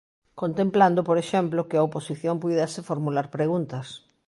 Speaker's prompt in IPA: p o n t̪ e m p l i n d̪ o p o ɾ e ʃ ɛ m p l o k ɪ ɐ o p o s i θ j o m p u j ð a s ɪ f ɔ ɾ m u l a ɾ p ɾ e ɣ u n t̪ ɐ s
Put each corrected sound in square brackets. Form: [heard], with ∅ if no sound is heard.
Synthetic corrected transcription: [k] o n t̪ e m p l [a] n d̪ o p o ɾ e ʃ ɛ m p l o k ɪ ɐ o p o s i θ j o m p u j ð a s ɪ f [o] ɾ m u l a ɾ p ɾ e ɣ u n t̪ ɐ s

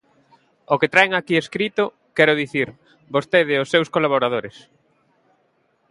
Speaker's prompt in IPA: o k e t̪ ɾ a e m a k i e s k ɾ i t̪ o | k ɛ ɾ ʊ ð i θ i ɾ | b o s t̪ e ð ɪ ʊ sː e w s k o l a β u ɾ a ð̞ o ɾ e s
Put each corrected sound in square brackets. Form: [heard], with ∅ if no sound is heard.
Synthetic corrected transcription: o k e t̪ ɾ a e [ŋ] a k i e s k ɾ i t̪ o | k ɛ ɾ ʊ ð i θ i ɾ | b o s t̪ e ð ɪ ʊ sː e w s k o l a β [o] ɾ a ð̞ o ɾ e s

